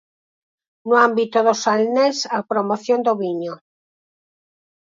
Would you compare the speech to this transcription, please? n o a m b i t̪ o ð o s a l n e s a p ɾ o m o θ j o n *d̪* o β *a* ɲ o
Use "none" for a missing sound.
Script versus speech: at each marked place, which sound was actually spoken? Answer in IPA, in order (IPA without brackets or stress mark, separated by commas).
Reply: d̪, i